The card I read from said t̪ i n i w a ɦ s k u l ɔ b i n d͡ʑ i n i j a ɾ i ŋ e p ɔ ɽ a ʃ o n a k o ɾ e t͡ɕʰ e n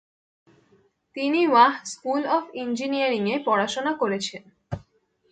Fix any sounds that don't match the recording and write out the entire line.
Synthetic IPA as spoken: t̪ i n i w a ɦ s k u l ɔ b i n d͡ʑ i n i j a ɾ i ŋ e p ɔ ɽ a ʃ o n a k o ɾ e t͡ɕʰ e n